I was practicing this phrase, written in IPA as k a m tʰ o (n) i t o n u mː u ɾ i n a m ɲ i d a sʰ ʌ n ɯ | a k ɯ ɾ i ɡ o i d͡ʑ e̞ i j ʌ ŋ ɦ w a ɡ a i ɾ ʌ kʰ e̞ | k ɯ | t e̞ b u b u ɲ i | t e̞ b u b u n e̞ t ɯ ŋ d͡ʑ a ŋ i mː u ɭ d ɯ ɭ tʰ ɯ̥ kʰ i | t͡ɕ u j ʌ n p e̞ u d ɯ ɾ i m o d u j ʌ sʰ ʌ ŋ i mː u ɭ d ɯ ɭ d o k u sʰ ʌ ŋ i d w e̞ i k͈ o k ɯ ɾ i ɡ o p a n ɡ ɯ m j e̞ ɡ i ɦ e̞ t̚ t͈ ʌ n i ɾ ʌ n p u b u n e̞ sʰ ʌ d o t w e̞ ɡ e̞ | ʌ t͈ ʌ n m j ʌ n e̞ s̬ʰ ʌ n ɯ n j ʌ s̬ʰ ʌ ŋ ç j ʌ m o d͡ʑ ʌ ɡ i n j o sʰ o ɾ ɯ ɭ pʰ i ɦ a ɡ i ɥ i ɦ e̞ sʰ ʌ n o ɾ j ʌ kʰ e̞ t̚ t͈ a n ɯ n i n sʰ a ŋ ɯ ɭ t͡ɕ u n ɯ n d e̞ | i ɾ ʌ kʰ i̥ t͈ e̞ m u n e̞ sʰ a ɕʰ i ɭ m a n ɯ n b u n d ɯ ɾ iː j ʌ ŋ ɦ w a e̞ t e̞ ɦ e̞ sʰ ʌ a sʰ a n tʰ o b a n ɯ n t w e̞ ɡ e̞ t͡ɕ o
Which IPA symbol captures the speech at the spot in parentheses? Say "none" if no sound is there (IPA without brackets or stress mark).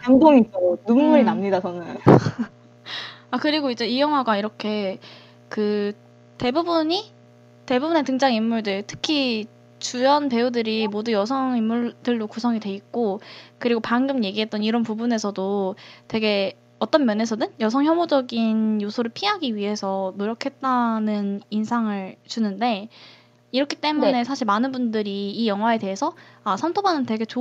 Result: ŋ